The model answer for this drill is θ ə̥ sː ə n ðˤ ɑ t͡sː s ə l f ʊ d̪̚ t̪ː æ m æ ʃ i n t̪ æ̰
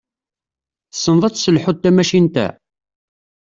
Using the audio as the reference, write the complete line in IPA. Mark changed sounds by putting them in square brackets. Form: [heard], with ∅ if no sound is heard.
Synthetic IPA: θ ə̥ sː ə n ðˤ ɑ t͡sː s ə l [ħ] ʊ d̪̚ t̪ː æ m æ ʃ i n t̪ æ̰